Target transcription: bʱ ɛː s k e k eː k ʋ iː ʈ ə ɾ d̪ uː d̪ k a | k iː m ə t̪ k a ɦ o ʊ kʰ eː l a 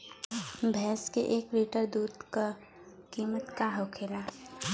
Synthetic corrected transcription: bʱ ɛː s k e ʔ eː k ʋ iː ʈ ə ɾ d̪ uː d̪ k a | k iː m ə t̪ k a ɦ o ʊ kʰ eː l a